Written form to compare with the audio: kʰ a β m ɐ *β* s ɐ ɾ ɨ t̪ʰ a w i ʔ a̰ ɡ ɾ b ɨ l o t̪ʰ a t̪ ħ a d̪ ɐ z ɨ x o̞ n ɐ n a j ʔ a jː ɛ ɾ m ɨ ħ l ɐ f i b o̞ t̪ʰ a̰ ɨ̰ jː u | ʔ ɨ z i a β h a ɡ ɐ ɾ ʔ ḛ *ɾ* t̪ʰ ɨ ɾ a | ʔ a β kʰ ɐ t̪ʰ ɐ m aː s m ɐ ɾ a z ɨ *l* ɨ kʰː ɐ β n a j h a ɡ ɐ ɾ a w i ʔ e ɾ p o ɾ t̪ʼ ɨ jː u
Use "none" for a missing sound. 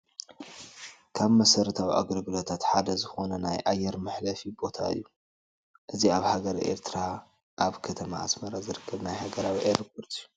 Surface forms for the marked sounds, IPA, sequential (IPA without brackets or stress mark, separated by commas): none, ɾ, ɾ